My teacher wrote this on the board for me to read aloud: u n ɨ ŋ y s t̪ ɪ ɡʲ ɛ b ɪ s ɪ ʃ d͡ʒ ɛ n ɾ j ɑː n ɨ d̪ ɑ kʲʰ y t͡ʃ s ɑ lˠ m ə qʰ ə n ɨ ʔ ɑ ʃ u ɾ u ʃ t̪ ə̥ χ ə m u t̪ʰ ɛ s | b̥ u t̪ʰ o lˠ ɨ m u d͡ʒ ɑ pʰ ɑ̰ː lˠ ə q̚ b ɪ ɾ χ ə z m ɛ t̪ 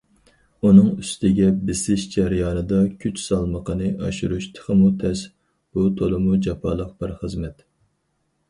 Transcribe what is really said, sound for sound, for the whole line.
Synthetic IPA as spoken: u n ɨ ŋ y s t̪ ɪ ɡʲ ɛ b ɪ s ɪ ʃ d͡ʒ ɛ ɾ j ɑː n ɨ d̪ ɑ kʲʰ y t͡ʃ s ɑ lˠ m ə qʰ ə n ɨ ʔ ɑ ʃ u ɾ u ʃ t̪ʰ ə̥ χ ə m u t̪ʰ ɛ s | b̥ u t̪ʰ o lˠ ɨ m u d͡ʒ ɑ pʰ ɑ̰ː lˠ ə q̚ b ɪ ɾ χ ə z m ɛ t̪

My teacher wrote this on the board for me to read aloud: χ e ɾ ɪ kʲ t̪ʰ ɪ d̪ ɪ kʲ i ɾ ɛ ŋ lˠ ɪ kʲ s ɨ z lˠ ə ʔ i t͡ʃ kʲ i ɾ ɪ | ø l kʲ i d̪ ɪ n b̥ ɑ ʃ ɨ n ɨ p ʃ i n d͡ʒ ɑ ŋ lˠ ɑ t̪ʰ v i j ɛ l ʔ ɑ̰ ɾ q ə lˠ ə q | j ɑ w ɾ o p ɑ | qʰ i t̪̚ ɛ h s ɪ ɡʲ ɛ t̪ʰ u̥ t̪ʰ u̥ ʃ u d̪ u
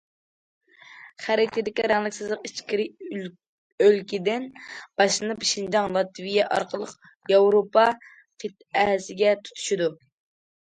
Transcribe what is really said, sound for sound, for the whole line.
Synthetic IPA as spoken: χ æ ɾ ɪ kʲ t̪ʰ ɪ d̪ ɪ kʲ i ɾ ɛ ŋ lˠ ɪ kʲ s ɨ z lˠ ə q i t͡ʃ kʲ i ɾ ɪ | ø l kʲ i d̪ ɪ n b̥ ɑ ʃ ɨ n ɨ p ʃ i n d͡ʒ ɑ ŋ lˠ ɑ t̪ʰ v i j ɛ ʔ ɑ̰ ɾ q ə lˠ ə q | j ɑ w ɾ o p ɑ | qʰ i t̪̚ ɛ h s ɪ ɡʲ ɛ t̪ʰ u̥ t̪ʰ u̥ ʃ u d̪ u

